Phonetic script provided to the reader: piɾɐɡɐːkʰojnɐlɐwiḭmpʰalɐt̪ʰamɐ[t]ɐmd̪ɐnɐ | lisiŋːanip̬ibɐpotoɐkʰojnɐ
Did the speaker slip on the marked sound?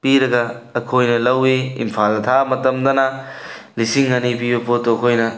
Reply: no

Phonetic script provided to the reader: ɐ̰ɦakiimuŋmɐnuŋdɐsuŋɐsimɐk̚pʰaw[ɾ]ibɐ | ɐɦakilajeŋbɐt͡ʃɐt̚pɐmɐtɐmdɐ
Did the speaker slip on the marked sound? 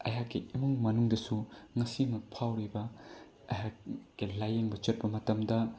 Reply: no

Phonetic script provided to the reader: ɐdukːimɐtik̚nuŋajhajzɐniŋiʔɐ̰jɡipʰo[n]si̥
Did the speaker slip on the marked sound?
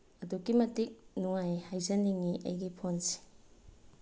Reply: no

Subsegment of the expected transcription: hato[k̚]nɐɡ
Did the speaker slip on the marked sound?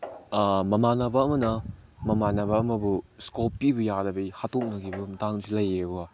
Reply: no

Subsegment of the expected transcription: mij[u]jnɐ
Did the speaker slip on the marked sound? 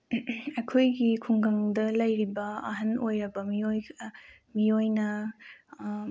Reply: yes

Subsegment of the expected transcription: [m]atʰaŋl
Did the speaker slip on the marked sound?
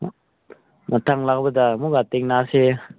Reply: no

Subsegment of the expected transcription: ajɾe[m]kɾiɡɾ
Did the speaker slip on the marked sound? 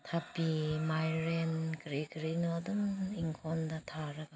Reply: yes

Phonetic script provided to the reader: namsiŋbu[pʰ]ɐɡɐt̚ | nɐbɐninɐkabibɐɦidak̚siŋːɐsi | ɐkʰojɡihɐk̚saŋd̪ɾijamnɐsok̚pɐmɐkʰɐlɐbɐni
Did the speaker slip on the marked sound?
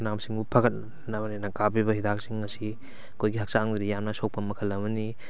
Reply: no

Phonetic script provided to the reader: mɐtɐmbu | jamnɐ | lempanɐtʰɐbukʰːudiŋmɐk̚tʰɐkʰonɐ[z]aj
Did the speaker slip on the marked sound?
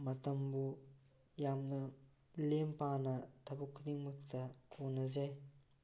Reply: no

